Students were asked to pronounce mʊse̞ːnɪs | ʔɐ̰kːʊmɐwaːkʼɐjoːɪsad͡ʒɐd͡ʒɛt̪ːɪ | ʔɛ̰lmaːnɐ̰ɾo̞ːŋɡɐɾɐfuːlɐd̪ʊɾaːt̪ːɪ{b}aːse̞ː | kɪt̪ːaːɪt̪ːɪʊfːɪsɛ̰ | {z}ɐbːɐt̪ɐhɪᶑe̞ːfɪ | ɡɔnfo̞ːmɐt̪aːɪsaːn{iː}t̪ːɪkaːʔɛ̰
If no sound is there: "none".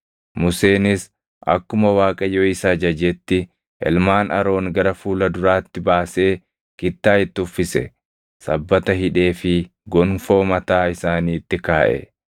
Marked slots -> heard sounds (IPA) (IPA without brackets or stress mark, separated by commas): b, s, iː